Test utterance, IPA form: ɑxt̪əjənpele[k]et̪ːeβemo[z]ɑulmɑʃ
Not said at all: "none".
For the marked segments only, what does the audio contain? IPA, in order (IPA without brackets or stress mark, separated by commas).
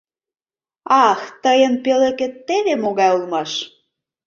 k, ɣ